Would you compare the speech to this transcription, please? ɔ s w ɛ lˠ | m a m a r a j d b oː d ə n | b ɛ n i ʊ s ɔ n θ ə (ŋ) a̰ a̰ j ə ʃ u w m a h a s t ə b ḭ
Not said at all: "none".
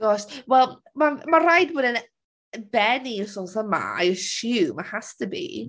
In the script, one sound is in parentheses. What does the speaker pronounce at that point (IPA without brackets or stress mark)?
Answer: m